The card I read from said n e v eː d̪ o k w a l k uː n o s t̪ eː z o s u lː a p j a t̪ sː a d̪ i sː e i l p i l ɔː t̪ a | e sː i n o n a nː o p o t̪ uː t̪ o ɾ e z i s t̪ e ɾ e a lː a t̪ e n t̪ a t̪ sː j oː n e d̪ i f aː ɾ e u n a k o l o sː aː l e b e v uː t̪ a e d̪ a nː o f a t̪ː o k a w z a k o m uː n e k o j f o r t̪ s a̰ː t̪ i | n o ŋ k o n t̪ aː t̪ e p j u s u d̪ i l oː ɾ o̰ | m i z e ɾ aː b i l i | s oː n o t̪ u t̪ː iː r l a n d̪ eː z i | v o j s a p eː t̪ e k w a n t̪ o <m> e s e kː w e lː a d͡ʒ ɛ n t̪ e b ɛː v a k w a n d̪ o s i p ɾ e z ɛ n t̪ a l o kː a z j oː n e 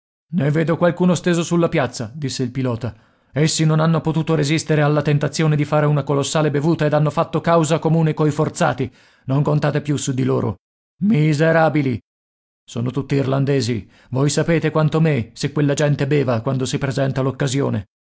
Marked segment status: correct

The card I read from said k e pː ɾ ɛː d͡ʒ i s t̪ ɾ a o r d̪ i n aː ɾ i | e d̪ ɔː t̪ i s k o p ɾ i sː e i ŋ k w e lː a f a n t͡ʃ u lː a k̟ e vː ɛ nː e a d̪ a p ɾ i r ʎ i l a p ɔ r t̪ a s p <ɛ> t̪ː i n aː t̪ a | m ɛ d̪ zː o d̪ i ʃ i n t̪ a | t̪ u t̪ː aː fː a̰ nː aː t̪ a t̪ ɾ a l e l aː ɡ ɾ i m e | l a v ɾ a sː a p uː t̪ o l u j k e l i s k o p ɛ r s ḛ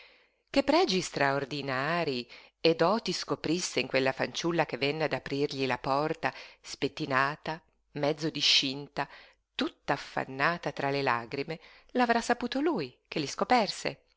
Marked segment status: incorrect: e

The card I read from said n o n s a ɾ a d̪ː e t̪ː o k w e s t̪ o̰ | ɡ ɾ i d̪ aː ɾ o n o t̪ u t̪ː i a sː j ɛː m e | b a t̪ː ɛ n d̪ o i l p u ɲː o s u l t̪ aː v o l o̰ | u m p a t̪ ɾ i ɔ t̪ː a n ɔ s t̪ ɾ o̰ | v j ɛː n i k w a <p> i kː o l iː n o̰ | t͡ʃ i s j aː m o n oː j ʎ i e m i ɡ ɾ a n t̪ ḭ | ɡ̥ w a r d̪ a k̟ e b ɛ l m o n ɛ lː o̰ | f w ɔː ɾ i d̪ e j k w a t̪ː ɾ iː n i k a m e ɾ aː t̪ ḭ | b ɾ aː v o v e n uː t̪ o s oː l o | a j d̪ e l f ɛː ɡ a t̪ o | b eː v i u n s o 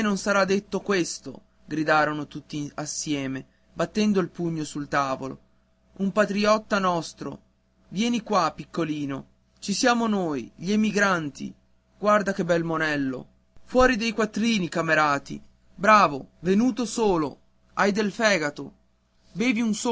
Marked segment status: correct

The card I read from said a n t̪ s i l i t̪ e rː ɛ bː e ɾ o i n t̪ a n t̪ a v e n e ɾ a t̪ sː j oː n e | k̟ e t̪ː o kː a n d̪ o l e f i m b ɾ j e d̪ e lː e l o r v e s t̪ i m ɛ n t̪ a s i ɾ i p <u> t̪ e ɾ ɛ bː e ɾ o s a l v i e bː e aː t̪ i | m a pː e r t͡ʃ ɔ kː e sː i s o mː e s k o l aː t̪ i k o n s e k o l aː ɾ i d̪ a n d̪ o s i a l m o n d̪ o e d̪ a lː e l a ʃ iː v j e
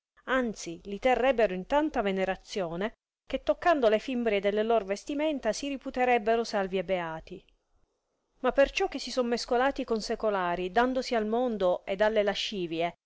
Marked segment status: correct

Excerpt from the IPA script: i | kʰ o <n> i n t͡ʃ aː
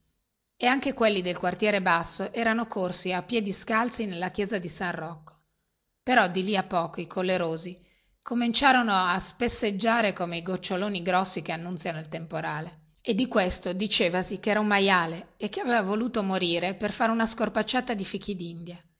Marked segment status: incorrect: m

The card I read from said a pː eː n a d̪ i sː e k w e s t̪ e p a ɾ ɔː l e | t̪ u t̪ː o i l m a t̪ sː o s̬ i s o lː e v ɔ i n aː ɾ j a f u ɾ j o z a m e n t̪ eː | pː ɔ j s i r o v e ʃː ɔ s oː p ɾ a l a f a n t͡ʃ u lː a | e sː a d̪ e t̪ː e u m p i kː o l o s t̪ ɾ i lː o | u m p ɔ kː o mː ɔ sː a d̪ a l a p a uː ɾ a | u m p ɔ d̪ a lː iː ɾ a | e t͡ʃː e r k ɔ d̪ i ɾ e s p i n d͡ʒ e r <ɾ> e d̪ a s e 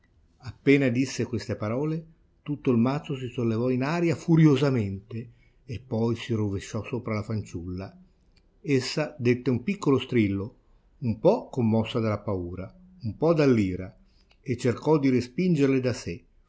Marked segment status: incorrect: l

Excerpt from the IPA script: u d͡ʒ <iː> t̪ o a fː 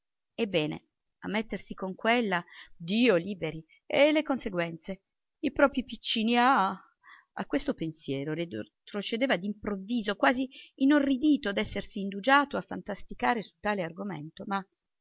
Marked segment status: incorrect: aː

